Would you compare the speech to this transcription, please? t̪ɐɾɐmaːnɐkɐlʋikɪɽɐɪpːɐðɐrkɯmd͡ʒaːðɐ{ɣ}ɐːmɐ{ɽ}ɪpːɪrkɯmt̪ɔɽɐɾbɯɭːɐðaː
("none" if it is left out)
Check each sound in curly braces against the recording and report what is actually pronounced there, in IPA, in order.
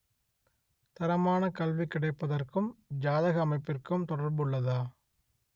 ɣ, none

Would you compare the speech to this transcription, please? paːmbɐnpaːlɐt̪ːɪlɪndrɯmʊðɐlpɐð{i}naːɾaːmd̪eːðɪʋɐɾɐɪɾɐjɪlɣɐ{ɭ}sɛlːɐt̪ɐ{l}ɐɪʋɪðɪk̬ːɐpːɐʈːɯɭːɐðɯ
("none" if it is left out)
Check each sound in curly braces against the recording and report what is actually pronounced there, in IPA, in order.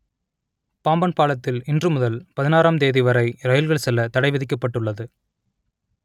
ɪ, ɭ, ɽ

